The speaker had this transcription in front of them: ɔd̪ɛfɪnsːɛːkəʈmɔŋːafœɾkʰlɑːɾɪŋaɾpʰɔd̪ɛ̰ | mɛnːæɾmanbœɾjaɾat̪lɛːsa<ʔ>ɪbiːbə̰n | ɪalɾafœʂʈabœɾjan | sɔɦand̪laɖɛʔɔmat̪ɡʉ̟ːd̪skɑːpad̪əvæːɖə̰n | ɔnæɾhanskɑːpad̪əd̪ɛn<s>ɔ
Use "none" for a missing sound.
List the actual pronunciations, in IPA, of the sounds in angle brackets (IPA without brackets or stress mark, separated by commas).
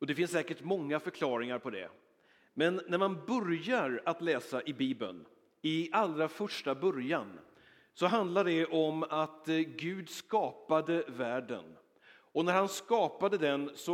ʔ, s